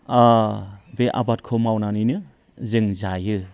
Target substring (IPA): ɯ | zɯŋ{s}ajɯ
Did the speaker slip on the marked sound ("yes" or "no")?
yes